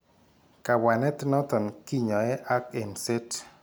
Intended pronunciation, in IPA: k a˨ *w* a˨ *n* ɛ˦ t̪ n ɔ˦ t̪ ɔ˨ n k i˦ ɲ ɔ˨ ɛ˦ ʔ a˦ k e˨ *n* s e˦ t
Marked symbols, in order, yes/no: yes, yes, yes

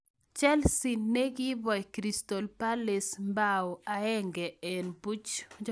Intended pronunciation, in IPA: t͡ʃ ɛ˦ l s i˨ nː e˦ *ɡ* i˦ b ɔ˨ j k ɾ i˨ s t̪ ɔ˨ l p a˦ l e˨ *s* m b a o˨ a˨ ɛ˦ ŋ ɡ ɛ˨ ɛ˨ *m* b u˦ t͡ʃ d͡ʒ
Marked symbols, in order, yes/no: yes, yes, no

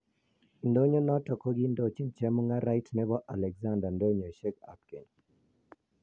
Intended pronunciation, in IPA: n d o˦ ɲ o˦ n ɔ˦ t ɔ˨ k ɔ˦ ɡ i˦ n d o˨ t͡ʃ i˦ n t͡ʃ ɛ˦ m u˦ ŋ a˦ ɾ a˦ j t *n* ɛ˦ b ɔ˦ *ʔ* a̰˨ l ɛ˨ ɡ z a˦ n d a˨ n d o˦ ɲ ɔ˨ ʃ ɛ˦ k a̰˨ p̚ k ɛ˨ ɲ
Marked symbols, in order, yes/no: yes, yes

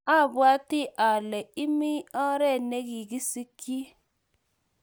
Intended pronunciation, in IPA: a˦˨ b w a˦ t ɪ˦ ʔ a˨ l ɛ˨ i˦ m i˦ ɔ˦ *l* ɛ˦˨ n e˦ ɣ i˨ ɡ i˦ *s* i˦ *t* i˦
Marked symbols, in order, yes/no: no, yes, no

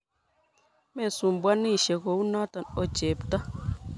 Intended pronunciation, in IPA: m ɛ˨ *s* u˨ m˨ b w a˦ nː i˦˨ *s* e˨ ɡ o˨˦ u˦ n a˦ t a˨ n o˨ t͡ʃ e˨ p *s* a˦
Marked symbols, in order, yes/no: yes, no, no

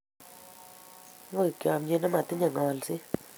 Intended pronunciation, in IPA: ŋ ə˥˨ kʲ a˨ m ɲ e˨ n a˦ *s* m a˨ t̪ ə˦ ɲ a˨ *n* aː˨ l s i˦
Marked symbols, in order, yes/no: no, no

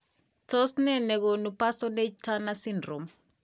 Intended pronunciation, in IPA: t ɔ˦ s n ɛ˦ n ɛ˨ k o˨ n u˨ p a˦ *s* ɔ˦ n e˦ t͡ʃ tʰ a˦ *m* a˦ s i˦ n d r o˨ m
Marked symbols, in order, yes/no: yes, no

